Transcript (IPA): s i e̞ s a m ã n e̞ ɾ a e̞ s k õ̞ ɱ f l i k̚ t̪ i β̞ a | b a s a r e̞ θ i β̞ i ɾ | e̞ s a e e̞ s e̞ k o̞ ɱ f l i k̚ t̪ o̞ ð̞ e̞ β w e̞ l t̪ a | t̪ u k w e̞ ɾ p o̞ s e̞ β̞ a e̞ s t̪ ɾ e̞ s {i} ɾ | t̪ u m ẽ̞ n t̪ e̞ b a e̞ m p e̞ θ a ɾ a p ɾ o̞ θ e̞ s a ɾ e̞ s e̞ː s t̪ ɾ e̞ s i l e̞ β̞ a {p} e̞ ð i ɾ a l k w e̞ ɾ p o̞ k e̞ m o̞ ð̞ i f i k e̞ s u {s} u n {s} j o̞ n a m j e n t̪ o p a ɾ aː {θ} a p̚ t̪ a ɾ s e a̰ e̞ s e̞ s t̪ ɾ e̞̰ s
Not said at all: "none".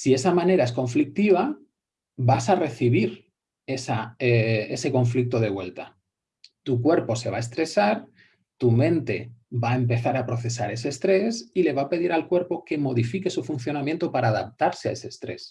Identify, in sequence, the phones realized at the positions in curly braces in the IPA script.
a, p, f, θ, ð

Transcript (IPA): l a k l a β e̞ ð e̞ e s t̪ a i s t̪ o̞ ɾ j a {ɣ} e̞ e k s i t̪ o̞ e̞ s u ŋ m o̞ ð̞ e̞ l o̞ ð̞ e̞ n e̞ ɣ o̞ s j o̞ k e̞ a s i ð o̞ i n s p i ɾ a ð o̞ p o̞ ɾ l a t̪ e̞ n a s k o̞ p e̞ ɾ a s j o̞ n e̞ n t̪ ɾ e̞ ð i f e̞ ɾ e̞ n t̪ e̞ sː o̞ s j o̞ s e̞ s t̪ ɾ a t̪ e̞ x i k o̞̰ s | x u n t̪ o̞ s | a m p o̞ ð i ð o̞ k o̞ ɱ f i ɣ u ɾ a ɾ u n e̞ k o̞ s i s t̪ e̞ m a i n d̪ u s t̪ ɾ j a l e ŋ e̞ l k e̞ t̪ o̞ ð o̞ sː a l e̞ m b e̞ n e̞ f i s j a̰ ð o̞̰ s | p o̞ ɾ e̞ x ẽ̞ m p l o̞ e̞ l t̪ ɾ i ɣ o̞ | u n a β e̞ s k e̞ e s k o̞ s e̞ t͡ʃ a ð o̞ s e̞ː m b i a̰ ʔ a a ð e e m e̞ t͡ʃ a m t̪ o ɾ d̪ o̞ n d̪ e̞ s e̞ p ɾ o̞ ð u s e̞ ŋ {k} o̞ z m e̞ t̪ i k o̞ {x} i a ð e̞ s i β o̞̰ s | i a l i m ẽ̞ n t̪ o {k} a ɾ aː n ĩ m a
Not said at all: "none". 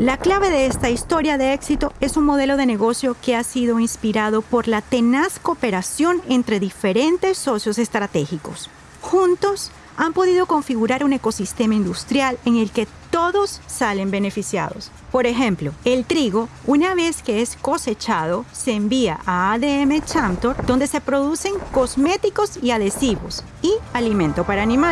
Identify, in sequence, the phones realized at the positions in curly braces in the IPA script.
ð, k, s, p

